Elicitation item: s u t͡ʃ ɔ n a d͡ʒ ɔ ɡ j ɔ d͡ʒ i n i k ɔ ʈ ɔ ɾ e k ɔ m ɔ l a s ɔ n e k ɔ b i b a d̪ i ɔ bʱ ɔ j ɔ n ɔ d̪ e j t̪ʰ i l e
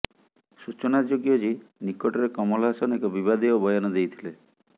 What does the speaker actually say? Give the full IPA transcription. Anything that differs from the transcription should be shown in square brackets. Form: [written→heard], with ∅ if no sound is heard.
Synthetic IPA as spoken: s u t͡ʃ ɔ n a d͡ʒ [ɔ→o] ɡ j ɔ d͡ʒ i n i k ɔ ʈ ɔ ɾ e k ɔ m ɔ l a s ɔ n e k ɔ b i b a d̪ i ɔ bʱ ɔ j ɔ n ɔ d̪ e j t̪ʰ i l e